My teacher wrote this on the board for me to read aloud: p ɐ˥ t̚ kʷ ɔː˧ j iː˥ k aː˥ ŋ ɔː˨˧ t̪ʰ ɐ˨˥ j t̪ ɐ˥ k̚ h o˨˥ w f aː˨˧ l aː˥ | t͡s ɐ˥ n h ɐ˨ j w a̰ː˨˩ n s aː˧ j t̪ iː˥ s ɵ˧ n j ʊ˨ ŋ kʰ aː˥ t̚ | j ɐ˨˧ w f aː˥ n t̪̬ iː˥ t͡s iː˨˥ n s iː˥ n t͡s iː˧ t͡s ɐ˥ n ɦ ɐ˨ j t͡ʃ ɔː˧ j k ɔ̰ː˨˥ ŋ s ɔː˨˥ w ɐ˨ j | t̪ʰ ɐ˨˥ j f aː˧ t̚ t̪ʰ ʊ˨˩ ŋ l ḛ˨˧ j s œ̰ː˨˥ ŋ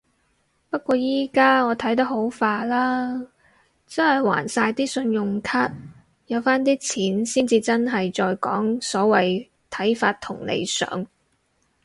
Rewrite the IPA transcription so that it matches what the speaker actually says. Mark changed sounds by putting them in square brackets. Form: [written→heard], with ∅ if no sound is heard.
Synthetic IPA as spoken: p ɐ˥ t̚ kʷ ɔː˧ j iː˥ k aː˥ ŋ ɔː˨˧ t̪ʰ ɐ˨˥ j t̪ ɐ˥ k̚ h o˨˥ w f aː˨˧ l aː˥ | t͡s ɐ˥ n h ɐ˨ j w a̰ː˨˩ n s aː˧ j t̪ iː˥ s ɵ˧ n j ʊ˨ ŋ kʰ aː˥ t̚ | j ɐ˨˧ w f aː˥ n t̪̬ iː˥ [t͡s→t͡sʰ] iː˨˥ n s iː˥ n t͡s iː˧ t͡s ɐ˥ n ɦ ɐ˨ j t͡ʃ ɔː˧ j k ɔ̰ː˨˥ ŋ s ɔː˨˥ w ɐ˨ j | t̪ʰ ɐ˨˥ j f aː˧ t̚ t̪ʰ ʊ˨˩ ŋ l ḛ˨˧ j s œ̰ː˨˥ ŋ